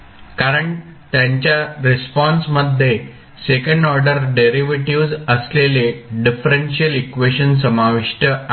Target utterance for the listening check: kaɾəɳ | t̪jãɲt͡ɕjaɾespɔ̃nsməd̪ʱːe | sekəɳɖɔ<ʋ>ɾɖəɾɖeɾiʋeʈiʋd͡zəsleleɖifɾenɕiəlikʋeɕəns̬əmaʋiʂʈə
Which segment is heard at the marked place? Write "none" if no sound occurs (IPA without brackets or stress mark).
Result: none